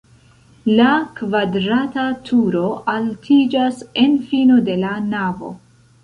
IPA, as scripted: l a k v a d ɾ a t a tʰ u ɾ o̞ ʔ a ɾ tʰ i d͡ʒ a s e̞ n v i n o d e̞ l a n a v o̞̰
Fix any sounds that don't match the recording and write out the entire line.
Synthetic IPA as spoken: l a k v a d ɾ a t a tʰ u ɾ o̞ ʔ a l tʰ i d͡ʒ a s e̞ n f i n o d e̞ l a n a v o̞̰